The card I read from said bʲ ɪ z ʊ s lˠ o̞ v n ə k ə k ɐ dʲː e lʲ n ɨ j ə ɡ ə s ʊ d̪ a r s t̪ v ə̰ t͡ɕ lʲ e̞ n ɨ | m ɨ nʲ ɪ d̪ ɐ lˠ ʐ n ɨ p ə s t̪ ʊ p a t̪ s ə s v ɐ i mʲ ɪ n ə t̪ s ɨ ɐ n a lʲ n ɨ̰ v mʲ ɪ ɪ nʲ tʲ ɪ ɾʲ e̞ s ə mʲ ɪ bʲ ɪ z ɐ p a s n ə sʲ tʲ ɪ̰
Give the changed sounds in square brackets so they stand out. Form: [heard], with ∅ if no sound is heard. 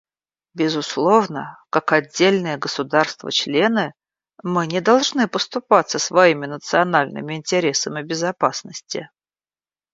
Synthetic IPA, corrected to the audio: bʲ ɪ z ʊ s lˠ o̞ v n ə k [a] k ɐ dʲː e lʲ n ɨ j ə ɡ ə s ʊ d̪ a r s t̪ v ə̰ t͡ɕ lʲ e̞ n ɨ | m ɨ nʲ ɪ d̪ ɐ lˠ ʐ n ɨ p ə s t̪ ʊ p a t̪ s ə s v ɐ i mʲ ɪ n ə t̪ s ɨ ɐ n a lʲ n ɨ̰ [∅] mʲ ɪ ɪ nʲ tʲ ɪ ɾʲ e̞ s ə mʲ ɪ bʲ ɪ z ɐ p a s n ə sʲ tʲ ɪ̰